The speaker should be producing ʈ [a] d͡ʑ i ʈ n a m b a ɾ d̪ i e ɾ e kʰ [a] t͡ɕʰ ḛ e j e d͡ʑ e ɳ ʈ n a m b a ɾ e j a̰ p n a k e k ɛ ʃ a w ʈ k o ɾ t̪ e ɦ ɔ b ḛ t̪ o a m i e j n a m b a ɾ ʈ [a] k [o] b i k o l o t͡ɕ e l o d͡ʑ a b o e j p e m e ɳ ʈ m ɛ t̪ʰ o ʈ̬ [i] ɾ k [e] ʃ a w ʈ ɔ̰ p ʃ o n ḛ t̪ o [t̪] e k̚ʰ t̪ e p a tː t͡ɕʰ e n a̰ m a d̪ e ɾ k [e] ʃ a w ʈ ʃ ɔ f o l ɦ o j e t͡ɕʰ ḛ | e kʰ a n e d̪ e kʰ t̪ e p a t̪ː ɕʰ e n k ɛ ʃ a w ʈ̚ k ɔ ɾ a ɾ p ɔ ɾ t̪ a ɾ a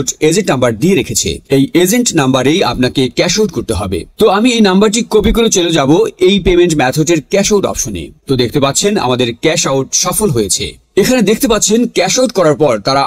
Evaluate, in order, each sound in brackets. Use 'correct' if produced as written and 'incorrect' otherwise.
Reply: incorrect, incorrect, incorrect, correct, incorrect, incorrect, incorrect, incorrect

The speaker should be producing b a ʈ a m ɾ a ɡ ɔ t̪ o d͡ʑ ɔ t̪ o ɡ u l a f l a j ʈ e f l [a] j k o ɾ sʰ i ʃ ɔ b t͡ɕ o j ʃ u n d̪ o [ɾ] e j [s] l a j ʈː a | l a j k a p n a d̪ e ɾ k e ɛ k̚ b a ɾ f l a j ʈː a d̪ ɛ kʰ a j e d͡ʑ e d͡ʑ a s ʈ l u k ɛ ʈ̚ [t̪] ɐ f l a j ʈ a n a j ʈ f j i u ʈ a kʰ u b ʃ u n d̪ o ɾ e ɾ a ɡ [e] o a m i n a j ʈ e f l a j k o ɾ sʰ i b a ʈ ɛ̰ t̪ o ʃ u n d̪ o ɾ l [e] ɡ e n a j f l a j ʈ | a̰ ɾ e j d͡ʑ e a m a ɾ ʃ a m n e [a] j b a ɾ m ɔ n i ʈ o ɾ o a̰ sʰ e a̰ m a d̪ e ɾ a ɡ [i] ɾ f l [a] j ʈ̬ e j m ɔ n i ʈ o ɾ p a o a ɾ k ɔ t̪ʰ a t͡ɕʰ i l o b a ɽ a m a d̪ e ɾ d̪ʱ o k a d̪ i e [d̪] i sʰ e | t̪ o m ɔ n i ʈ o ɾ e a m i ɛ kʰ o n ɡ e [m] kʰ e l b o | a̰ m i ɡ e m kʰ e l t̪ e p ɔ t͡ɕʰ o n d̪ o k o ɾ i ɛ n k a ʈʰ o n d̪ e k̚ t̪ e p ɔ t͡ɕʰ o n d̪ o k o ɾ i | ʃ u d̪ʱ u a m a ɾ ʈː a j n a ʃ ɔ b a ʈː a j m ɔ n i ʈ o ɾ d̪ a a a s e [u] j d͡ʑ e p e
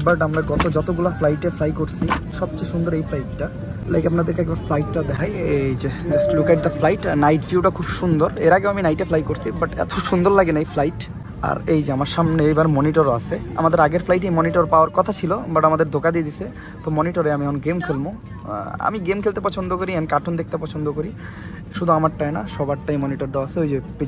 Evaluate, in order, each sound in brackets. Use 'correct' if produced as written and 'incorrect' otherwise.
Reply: correct, correct, incorrect, incorrect, correct, incorrect, incorrect, incorrect, correct, correct, correct, incorrect

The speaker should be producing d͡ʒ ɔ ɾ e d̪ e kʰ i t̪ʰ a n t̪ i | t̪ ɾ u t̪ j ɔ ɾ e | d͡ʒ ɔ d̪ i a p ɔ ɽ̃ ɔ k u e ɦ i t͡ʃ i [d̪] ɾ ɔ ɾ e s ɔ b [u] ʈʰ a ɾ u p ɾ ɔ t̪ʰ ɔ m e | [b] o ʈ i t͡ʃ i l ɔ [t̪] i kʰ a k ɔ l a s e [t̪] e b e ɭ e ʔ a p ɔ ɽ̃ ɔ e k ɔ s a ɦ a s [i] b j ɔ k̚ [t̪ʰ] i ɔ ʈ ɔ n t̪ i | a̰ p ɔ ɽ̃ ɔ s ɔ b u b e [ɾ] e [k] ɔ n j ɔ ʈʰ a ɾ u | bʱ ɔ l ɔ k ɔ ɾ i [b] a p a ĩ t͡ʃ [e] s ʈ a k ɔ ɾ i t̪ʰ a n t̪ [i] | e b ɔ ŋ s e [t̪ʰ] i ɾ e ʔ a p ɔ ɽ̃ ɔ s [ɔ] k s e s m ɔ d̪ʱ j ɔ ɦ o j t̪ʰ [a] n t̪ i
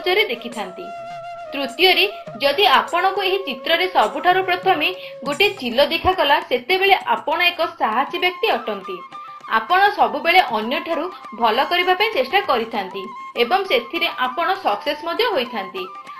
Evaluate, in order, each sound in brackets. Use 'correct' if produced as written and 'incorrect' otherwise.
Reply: incorrect, correct, incorrect, incorrect, correct, correct, incorrect, incorrect, incorrect, correct, correct, correct, correct, correct, correct

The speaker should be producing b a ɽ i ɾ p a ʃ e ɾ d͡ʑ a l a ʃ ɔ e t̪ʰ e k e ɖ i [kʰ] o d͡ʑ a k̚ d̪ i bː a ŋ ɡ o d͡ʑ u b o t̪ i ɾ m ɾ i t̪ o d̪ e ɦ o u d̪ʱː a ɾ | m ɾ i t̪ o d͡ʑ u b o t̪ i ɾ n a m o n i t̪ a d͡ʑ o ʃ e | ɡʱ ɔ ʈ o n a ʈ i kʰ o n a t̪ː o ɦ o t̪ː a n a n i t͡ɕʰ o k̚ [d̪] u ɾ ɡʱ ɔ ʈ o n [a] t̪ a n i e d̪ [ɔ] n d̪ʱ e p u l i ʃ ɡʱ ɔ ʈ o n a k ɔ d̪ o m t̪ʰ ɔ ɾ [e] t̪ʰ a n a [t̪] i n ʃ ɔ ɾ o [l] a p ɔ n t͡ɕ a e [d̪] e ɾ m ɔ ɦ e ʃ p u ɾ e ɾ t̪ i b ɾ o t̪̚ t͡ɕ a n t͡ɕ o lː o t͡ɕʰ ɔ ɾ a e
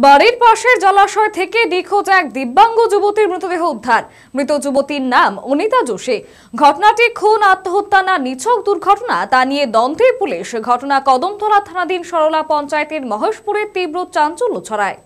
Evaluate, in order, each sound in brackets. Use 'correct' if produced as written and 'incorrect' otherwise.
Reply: correct, correct, correct, correct, incorrect, incorrect, correct, incorrect

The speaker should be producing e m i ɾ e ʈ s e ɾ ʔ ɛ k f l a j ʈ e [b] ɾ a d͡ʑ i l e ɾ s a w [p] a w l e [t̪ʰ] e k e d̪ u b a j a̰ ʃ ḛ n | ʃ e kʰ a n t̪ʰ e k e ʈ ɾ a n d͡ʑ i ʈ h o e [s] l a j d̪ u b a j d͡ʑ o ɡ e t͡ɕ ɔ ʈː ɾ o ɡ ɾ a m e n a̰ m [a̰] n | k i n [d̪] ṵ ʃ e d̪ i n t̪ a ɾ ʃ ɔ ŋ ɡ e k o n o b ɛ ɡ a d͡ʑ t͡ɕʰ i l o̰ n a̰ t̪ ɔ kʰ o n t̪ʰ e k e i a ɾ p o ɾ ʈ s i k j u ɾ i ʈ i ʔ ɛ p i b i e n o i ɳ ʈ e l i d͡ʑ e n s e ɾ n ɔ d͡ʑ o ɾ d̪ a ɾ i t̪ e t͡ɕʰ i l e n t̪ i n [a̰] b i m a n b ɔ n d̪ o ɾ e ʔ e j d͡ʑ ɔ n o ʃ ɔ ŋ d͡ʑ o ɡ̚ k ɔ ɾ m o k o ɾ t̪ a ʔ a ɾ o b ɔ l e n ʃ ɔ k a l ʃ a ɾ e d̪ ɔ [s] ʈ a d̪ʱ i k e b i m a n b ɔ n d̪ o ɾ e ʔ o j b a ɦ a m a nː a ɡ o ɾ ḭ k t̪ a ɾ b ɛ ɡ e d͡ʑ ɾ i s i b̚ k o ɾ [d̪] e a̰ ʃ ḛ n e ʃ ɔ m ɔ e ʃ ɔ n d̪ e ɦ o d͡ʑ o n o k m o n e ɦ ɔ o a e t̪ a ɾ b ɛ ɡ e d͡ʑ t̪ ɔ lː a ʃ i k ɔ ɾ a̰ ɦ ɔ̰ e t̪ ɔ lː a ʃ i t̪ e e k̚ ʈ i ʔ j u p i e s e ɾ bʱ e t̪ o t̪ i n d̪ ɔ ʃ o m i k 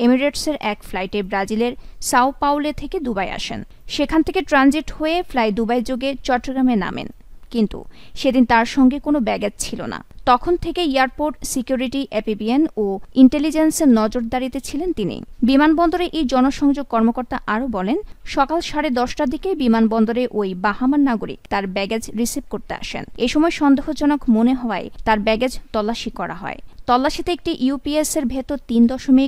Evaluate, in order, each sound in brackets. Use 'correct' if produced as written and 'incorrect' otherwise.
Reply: correct, correct, correct, incorrect, incorrect, incorrect, incorrect, incorrect, incorrect

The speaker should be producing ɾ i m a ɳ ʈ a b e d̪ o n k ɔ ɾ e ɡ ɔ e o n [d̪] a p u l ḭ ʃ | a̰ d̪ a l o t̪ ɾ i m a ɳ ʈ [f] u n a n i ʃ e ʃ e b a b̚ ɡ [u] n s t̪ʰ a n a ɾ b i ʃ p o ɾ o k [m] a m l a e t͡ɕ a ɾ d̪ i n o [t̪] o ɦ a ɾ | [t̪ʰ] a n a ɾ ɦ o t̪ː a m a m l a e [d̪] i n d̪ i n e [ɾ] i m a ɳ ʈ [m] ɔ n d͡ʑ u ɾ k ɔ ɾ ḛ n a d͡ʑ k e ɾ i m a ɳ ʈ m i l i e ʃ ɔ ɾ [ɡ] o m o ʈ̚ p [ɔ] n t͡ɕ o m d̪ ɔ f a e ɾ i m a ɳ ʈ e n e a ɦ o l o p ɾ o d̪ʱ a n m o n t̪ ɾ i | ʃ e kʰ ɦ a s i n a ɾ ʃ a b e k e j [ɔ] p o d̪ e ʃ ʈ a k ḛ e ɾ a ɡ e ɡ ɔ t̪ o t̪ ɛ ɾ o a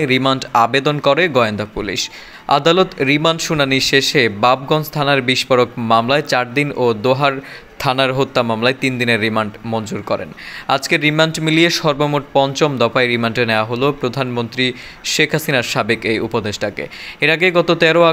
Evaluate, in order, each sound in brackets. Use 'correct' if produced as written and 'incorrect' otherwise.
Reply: correct, incorrect, incorrect, correct, incorrect, correct, incorrect, incorrect, correct, incorrect, correct, incorrect

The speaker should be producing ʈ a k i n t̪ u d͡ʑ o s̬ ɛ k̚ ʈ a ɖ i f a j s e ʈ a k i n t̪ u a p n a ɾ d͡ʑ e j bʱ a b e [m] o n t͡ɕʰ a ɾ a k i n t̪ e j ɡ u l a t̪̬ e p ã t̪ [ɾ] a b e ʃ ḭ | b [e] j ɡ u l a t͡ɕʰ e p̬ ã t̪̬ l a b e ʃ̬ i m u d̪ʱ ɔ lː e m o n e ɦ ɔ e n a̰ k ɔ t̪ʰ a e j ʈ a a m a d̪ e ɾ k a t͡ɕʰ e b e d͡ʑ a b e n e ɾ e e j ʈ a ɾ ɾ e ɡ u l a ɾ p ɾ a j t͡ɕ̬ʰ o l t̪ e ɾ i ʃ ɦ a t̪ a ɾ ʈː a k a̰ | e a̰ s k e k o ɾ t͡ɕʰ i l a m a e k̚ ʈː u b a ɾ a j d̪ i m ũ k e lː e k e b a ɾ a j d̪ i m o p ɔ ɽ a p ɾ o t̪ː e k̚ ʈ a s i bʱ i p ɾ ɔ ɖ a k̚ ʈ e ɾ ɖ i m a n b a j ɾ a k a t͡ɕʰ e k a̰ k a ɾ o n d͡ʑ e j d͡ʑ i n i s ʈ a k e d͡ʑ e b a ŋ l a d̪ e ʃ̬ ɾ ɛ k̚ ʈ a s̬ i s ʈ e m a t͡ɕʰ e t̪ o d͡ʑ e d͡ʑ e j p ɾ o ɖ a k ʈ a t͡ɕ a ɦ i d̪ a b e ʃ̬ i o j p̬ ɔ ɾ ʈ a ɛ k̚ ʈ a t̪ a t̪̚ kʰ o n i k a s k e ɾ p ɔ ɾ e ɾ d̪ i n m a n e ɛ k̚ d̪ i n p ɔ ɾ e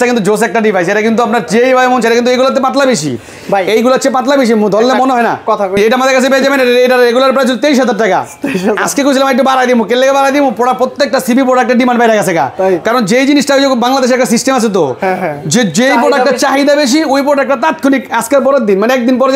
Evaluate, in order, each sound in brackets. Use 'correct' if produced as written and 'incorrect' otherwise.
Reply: correct, incorrect, correct

